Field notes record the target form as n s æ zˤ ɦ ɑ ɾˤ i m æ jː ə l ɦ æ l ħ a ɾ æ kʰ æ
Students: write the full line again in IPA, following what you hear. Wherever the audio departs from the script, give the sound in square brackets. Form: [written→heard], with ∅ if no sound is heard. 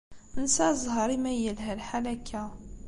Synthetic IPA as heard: n s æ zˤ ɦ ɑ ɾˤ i m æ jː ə l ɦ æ l ħ a [ɾ→l] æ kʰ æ